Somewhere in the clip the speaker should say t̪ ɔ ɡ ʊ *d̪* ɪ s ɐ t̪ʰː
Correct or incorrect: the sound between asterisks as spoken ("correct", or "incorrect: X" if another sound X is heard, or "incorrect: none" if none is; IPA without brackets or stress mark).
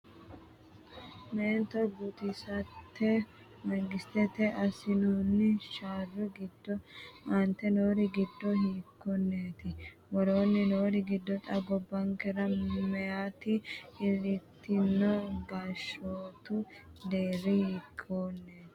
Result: incorrect: t̪